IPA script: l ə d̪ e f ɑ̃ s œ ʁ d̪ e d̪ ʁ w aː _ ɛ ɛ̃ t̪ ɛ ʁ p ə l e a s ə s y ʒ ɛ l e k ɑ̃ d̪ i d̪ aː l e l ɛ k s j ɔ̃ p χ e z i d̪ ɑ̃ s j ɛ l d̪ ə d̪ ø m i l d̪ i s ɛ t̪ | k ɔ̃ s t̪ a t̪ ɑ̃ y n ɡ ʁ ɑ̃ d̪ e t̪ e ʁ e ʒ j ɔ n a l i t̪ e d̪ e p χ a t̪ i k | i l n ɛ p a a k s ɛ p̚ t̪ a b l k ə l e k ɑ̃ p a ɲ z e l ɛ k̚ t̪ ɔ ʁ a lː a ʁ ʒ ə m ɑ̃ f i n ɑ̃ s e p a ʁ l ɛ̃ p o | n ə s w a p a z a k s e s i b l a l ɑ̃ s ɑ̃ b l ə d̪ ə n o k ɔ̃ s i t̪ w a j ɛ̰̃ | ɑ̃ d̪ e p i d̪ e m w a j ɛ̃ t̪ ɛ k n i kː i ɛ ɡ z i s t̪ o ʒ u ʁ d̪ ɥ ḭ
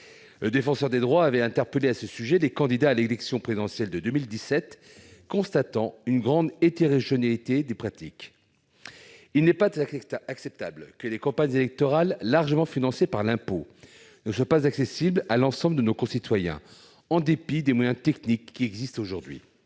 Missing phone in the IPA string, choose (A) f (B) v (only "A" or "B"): B